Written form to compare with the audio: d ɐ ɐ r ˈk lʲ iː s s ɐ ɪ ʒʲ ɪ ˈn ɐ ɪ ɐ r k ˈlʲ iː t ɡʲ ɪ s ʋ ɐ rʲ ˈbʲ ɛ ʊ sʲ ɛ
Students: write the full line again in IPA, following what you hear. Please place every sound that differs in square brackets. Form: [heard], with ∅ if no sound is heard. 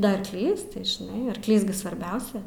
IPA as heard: d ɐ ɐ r ˈk lʲ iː s [t] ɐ ɪ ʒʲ ɪ ˈn ɐ ɪ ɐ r k ˈlʲ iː [s] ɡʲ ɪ s ʋ ɐ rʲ ˈbʲ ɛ ʊ sʲ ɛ

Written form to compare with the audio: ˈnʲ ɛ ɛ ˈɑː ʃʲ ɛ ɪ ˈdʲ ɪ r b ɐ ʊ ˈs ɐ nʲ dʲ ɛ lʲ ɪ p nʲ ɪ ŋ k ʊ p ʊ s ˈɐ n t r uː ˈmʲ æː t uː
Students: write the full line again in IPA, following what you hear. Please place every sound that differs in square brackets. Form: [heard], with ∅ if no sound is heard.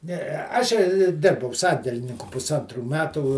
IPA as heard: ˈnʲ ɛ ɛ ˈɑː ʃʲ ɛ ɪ ˈdʲ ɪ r b ɐ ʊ ˈs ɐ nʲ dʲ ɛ lʲ ɪ [∅] nʲ ɪ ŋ k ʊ p ʊ s ˈɐ n t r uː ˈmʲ æː t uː

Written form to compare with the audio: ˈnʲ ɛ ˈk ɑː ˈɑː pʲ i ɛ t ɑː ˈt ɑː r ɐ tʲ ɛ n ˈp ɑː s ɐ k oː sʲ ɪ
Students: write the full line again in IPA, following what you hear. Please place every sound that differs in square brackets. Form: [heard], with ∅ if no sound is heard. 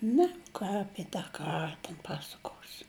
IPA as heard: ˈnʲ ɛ ˈk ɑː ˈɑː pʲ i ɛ t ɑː [ˈk] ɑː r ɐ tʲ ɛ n ˈp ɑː s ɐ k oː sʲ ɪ

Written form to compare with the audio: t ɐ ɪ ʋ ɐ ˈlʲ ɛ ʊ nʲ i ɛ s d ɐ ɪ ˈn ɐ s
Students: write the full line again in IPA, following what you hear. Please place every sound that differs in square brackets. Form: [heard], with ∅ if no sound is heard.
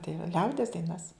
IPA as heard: t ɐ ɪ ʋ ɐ ˈlʲ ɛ ʊ [dʲ] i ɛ s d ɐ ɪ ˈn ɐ s

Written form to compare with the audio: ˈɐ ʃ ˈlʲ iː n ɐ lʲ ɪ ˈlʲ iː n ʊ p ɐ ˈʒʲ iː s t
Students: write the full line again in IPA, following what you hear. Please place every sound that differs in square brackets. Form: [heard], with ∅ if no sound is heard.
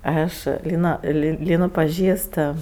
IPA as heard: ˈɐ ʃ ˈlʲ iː n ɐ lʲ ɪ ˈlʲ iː n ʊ p ɐ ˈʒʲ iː s t

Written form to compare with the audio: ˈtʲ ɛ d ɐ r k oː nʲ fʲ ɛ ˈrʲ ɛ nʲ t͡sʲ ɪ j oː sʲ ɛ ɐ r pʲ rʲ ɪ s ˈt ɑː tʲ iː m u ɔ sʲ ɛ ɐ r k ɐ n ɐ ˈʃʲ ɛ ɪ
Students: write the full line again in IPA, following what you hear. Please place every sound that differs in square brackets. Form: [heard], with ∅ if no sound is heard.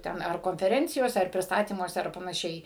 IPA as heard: ˈtʲ ɛ [n] ɐ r k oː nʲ fʲ ɛ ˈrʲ ɛ nʲ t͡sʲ ɪ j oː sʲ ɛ ɐ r pʲ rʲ ɪ s ˈt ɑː tʲ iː m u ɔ sʲ ɛ ɐ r [p] ɐ n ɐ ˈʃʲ ɛ ɪ

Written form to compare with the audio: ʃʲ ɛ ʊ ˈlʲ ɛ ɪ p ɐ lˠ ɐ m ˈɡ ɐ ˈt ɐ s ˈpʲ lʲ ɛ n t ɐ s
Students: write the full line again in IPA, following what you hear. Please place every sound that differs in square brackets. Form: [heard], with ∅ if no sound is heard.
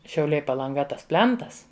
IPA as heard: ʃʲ ɛ ʊ ˈlʲ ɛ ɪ p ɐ lˠ ɐ [ŋ] ˈɡ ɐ ˈt ɐ s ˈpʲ lʲ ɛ n t ɐ s

